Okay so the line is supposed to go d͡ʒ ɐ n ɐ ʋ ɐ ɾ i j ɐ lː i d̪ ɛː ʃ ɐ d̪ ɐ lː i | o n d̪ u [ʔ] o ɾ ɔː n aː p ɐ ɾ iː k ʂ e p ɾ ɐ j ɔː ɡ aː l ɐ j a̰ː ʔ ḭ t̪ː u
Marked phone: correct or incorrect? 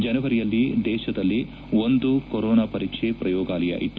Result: incorrect